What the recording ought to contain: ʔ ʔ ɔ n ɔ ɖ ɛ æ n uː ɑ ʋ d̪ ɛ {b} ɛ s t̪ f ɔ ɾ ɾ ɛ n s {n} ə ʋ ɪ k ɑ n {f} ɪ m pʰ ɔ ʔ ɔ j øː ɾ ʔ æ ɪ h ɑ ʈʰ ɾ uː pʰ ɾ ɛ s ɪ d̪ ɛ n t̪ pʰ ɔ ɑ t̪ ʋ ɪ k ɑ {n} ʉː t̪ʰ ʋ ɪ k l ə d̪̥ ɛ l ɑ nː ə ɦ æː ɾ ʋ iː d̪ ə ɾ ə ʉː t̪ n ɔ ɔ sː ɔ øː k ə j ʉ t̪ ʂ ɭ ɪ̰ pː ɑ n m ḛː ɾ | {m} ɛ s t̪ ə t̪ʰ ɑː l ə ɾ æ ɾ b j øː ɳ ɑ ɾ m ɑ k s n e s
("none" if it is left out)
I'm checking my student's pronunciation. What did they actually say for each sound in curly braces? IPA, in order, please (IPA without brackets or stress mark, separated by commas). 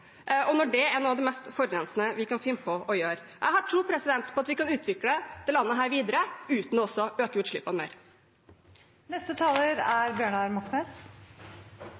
m, n, f, n, n